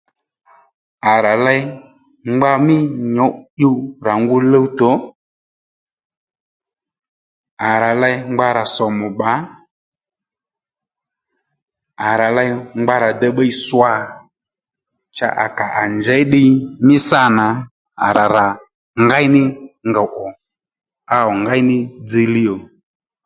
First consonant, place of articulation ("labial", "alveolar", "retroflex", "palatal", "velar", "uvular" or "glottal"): alveolar